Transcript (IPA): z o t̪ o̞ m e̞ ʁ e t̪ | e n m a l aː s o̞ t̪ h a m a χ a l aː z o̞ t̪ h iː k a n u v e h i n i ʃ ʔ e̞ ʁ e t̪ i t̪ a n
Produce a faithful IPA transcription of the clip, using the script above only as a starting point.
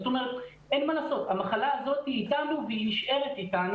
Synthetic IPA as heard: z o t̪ o̞ m e̞ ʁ e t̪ | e n m a l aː s o̞ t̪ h a m a χ a l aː z o̞ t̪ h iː t a n u v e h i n i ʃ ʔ e̞ ʁ e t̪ i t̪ a n